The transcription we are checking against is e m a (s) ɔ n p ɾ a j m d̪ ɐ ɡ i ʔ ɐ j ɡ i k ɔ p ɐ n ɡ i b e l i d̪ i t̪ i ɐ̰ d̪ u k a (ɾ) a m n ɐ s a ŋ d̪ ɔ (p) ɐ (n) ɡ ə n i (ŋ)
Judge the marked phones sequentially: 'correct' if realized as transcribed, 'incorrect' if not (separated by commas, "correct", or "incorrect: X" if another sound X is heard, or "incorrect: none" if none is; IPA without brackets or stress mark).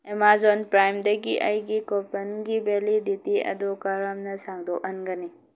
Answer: incorrect: z, correct, incorrect: ʔ, correct, incorrect: none